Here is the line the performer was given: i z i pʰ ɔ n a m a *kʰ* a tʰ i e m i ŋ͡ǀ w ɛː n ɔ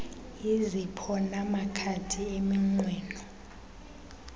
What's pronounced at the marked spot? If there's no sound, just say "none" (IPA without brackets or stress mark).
kʰ